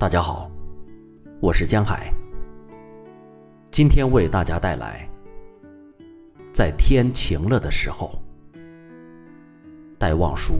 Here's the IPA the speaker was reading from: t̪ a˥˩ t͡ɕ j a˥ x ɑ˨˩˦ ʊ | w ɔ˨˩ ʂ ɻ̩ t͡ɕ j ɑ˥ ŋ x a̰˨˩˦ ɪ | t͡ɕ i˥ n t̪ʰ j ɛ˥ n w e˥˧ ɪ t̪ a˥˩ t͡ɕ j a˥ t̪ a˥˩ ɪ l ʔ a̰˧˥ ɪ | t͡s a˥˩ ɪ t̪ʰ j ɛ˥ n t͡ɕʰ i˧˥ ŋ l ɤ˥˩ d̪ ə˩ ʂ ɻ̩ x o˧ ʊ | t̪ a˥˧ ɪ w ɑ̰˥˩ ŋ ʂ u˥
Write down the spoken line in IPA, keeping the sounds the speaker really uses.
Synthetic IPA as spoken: t̪ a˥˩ t͡ɕ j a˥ x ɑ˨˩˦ ʊ | w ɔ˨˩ ʂ ɻ̩ t͡ɕ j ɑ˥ ŋ x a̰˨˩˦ ɪ | t͡ɕ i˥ n t̪ʰ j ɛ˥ n w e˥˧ ɪ t̪ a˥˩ t͡ɕ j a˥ t̪ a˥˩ ɪ l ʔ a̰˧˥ ɪ | t͡s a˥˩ ɪ t̪ʰ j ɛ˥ n t͡ɕʰ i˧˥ ŋ l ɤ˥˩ d̪ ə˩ ʂ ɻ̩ x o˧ ʊ | t̪ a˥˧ ɪ w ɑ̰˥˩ ŋ ʂ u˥